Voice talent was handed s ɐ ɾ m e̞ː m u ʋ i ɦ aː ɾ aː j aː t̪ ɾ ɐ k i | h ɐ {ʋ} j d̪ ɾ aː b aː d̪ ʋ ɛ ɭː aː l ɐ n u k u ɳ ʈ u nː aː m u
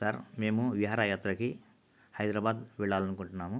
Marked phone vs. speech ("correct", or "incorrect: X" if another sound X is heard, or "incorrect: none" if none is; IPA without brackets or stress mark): incorrect: none